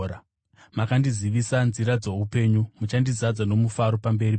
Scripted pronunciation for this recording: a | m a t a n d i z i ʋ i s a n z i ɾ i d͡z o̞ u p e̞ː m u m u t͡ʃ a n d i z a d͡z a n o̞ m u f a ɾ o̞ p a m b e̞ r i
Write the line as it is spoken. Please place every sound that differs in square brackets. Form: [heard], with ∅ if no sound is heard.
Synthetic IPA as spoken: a | m a [k] a n d i z i ʋ i s a n z i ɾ [a] d͡z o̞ u p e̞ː [ɲ] u m u t͡ʃ a n d i z a d͡z a n o̞ m u f a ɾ o̞ p a m b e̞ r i